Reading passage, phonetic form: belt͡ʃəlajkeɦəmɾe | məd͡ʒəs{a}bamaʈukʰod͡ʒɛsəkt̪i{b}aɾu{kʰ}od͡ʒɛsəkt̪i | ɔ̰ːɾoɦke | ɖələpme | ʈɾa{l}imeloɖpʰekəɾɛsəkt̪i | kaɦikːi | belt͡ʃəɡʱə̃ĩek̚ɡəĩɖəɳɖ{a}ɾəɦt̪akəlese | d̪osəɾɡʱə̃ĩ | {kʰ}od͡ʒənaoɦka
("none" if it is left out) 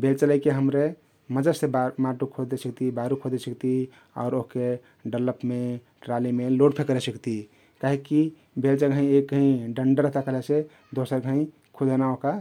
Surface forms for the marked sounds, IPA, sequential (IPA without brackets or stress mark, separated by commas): e, b, kʰ, l, ə, kʰ